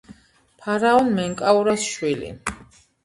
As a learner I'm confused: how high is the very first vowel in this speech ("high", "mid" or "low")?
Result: low